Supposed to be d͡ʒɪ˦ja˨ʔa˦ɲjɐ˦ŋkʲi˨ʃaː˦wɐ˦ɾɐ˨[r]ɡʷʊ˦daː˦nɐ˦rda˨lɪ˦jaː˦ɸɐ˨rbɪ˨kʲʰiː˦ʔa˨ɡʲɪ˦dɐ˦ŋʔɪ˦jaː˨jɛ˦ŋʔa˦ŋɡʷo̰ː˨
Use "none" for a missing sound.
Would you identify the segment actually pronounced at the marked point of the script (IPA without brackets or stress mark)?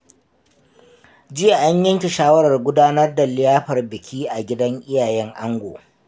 r